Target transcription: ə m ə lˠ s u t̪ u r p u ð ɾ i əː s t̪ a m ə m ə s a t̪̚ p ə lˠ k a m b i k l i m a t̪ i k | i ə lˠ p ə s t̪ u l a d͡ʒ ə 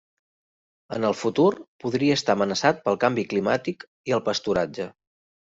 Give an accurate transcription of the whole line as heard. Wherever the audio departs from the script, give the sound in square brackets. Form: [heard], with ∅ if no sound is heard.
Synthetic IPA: ə [n] ə lˠ [f] u t̪ u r p u ð ɾ i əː s t̪ a m ə [n] ə s a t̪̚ p ə lˠ k a m b i k l i m a t̪ i k | i ə lˠ p ə s t̪ u [ɾ] a d͡ʒ ə